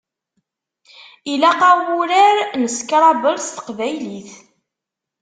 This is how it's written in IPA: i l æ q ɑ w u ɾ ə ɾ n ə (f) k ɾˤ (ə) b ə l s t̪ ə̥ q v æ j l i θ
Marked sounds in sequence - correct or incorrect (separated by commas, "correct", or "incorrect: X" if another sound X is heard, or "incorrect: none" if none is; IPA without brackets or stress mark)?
incorrect: s, incorrect: ɑ